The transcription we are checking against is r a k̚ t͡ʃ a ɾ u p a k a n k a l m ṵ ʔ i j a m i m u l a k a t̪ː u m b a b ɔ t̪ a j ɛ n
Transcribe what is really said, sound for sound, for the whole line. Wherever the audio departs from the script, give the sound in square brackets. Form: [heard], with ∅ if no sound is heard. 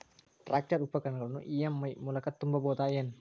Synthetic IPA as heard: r a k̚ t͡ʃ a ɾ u p a k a n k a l [n] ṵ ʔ i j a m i m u l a k a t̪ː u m b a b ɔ t̪ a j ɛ n